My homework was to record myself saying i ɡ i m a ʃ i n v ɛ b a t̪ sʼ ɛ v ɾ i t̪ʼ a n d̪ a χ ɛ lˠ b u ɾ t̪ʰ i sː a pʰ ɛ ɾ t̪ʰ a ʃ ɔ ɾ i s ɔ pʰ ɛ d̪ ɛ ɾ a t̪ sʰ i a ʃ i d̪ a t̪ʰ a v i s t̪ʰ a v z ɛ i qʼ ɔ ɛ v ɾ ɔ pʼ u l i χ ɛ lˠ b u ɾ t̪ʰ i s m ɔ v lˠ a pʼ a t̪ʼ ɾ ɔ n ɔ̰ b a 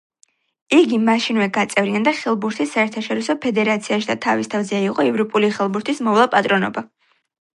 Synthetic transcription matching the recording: i ɡ i m a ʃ i n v ɛ ɡ a t̪ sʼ ɛ v ɾ i a n d̪ a χ ɛ lˠ b u ɾ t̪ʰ i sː a ɛ ɾ t̪ʰ a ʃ ɔ ɾ i s ɔ pʰ ɛ d̪ ɛ ɾ a t̪ sʰ i a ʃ i d̪ a t̪ʰ a v i s t̪ʰ a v z ɛ i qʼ ɔ ɛ v ɾ ɔ pʼ u l i χ ɛ lˠ b u ɾ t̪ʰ i s m ɔ v lˠ a pʼ a t̪ʼ ɾ ɔ n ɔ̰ b a